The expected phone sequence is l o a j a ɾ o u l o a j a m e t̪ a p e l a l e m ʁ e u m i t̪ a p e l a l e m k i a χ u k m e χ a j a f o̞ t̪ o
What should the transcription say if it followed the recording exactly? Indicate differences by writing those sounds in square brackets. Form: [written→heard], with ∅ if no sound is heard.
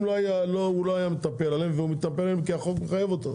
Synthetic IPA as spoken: l o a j a [ɾ→l] o u l o a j a m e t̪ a p e l a l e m [ʁ→v] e u m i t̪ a p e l a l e m k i a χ [u→o] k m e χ a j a [f→v] o̞ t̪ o